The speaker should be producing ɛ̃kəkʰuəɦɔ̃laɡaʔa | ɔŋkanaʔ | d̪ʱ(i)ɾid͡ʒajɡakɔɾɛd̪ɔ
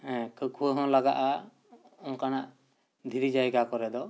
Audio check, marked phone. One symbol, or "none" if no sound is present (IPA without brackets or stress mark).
i